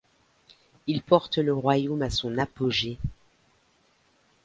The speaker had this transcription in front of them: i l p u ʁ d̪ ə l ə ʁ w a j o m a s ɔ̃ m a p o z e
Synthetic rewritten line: i l p ɔ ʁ t̪ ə l ə ʁ w a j o m a s ɔ̃ n a p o ʒ e